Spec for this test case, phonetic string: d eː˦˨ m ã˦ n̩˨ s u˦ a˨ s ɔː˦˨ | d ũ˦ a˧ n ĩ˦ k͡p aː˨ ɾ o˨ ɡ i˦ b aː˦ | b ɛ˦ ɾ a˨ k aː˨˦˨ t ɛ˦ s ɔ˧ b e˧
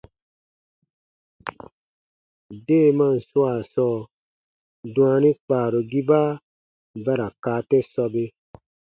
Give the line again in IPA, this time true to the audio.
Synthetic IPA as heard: d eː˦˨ m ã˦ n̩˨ s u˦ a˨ s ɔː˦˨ | d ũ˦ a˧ n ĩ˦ k͡p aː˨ ɾ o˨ ɡ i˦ b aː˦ | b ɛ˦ ɾ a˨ k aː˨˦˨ t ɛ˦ s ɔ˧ b e˧